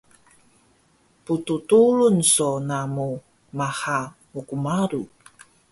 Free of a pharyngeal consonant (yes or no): yes